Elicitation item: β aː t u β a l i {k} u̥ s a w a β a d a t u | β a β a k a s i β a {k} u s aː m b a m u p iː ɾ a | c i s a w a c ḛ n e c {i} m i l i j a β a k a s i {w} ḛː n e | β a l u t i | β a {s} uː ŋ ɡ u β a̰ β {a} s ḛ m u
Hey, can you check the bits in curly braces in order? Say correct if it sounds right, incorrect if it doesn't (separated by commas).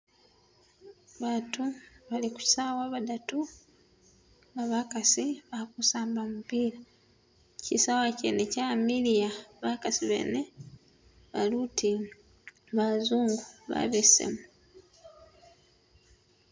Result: correct, correct, incorrect, incorrect, incorrect, incorrect